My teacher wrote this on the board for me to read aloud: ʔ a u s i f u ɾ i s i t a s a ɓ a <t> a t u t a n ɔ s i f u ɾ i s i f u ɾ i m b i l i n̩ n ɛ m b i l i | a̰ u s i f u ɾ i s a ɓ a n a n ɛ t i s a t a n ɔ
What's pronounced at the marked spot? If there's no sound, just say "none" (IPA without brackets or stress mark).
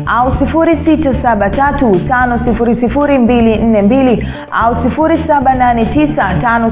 t